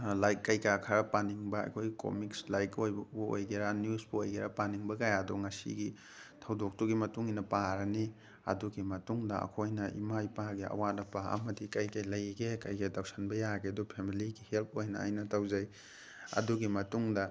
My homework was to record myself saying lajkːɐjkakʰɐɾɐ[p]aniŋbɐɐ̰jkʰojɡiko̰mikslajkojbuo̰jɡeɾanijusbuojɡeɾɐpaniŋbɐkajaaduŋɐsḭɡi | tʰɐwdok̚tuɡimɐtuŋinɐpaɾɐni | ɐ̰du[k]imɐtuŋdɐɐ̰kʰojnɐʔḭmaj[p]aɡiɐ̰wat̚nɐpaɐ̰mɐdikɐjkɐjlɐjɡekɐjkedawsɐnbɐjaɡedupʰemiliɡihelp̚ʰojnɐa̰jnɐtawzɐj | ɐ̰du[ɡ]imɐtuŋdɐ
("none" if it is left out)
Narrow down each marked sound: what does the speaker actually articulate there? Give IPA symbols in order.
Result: p, ɡ, p, ɡ

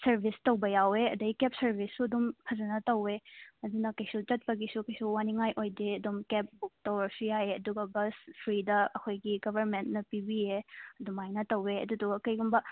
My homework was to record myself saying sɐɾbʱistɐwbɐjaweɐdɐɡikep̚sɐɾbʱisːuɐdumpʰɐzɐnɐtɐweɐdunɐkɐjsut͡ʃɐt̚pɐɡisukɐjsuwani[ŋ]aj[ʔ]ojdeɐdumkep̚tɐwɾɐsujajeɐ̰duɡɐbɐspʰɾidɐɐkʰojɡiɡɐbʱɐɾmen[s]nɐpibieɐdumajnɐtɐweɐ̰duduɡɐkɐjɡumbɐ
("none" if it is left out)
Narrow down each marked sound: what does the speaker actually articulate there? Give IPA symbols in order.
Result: ŋ, ʔ, t

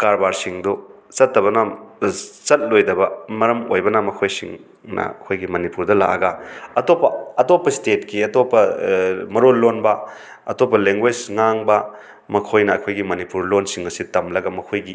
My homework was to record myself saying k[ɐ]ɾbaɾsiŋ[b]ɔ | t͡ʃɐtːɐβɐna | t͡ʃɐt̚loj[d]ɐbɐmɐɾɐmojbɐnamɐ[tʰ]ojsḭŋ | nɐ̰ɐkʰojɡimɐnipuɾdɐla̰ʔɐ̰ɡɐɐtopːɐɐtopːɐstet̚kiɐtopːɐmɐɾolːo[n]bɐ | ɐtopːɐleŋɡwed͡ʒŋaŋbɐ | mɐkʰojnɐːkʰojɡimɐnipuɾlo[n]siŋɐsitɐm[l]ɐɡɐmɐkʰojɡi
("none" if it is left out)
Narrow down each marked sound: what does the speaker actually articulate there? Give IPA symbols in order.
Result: a, d, d, kʰ, n, n, l

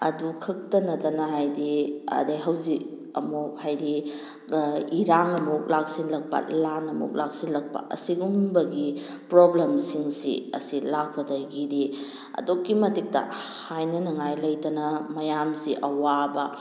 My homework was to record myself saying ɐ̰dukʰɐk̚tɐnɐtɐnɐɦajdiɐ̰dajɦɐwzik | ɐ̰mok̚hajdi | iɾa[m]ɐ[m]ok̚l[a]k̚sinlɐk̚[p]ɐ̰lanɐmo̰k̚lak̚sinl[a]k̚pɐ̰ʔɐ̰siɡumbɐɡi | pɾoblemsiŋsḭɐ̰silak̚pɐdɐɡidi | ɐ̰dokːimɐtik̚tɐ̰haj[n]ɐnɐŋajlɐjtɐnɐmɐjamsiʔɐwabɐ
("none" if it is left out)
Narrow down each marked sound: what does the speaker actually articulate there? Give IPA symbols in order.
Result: ŋ, m, a, p, ɐ, n

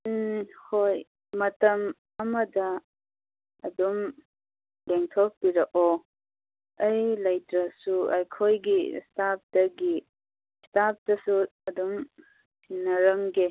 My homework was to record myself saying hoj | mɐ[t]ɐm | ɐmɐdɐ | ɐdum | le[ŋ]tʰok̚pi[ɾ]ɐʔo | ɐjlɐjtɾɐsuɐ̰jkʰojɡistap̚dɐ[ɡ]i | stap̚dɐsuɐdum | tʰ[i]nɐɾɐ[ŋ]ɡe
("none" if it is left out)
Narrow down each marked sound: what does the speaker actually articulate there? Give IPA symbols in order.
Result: t, ŋ, ɾ, ɡ, i, ŋ

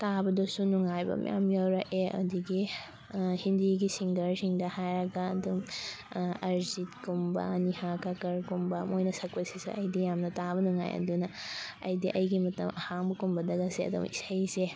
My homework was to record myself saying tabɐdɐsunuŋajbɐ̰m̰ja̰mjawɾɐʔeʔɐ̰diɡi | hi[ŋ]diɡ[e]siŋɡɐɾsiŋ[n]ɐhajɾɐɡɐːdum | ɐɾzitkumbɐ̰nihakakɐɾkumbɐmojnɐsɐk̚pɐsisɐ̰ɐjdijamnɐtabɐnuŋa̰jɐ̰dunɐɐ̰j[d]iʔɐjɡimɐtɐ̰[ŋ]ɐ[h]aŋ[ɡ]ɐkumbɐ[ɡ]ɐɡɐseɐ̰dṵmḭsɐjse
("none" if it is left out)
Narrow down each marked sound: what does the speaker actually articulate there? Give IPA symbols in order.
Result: n, i, d, d, m, h, b, d

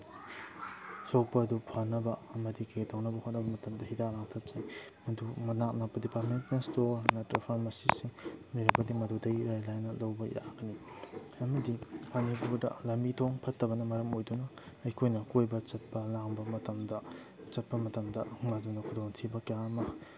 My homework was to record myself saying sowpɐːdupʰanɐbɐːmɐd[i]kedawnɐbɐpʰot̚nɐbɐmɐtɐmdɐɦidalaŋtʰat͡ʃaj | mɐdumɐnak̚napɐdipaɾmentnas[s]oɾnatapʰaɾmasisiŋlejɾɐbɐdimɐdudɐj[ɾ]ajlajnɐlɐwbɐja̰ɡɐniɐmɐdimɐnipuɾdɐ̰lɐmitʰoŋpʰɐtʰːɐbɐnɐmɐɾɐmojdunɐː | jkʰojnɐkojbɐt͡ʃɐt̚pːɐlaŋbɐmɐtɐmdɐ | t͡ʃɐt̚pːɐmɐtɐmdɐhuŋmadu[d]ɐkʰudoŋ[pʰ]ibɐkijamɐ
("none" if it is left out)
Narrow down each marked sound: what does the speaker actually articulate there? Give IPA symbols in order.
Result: i, t, ɾ, n, tʰ

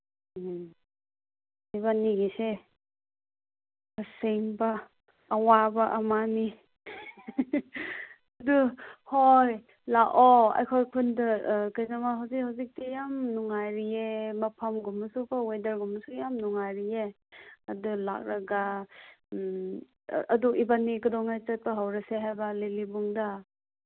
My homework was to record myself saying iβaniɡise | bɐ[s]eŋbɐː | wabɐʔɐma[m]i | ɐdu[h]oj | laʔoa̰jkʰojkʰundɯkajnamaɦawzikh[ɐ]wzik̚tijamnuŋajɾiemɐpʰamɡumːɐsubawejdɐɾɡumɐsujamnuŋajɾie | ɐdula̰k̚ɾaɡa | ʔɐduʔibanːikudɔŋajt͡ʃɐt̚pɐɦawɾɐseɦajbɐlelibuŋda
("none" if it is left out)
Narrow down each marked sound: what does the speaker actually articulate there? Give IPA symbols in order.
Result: s, n, h, a

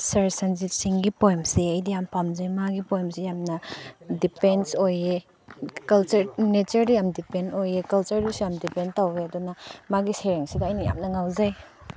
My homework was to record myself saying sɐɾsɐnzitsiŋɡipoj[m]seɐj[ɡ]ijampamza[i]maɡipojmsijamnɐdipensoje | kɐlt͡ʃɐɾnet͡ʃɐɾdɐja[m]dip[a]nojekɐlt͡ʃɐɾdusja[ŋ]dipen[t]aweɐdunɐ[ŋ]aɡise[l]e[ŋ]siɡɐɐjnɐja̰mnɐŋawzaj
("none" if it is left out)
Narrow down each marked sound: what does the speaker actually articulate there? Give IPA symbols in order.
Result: m, d, j, m, e, m, t, m, ɾ, ŋ

